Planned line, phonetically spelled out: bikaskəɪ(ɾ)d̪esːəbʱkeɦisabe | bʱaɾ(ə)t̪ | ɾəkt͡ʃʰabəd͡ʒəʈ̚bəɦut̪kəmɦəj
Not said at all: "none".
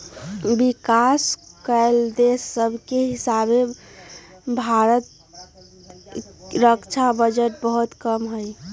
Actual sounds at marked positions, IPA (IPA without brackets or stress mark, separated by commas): l, ə